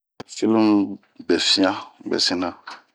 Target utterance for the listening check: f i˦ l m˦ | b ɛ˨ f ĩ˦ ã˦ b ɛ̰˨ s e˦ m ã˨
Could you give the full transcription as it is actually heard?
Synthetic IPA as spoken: f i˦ l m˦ | b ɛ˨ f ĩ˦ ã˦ b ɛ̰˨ s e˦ n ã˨

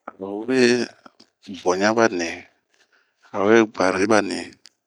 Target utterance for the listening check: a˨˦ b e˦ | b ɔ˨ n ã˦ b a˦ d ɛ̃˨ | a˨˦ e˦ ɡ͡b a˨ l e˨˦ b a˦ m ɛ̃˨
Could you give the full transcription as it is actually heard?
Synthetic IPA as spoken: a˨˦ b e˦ | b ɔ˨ ɲ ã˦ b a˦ n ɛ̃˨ | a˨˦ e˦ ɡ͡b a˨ ɾ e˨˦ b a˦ n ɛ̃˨

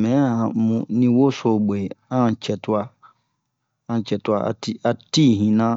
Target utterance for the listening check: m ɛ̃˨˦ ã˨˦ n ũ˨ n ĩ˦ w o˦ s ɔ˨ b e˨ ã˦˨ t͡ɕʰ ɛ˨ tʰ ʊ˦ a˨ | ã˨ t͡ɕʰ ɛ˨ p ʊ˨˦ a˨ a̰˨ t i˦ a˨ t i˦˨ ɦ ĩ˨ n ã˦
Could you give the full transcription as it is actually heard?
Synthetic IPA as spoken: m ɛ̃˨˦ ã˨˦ m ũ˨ n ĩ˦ w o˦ s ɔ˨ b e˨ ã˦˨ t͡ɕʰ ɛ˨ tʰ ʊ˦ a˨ | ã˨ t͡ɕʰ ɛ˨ t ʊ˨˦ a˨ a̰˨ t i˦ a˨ t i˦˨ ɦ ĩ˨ n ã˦

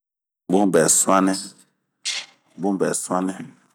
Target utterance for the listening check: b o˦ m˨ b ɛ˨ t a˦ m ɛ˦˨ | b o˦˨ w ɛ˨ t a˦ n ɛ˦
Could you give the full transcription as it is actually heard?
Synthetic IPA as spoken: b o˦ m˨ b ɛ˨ s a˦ n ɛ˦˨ | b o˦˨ b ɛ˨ s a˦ n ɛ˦

